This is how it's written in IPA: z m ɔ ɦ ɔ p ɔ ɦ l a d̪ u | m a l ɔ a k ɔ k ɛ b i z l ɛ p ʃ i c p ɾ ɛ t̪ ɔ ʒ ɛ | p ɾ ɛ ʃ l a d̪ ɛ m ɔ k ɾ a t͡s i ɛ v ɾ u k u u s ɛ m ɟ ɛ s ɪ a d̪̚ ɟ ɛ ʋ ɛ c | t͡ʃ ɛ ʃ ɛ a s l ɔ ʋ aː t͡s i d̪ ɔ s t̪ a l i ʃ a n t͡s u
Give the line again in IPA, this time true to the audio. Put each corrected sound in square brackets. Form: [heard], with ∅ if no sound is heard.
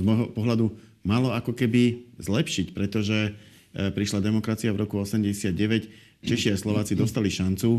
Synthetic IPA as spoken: z m ɔ ɦ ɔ p ɔ ɦ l a d̪ u | m a l ɔ a k ɔ k ɛ b i z l ɛ p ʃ i c p ɾ ɛ t̪ ɔ ʒ ɛ | p ɾ [i] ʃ l a d̪ ɛ m ɔ k ɾ a t͡s i [a] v ɾ [ɔ] k u [ɔ] s ɛ m ɟ ɛ s ɪ a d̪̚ ɟ ɛ ʋ ɛ c | t͡ʃ ɛ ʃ [i] a s l ɔ ʋ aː t͡s i d̪ ɔ s t̪ a l i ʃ a n t͡s u